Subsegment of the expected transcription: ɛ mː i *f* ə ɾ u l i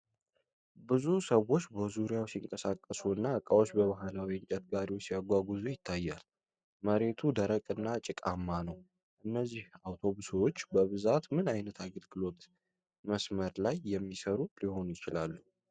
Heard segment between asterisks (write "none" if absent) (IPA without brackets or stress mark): s